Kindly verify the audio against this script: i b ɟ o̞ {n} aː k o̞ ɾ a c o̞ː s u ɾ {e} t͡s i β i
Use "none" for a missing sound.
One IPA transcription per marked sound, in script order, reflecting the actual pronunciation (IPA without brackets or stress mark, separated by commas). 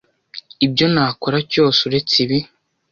n, e